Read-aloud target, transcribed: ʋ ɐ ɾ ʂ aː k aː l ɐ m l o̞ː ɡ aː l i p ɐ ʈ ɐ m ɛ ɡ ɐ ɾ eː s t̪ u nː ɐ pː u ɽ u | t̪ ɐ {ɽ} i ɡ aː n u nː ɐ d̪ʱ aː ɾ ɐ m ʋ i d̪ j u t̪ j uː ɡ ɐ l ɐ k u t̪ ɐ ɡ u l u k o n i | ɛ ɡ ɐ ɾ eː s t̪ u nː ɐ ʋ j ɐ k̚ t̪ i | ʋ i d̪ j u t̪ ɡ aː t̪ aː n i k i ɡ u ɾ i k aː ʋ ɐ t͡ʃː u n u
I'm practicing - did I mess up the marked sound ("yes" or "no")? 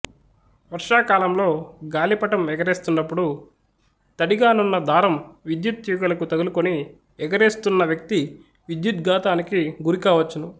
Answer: no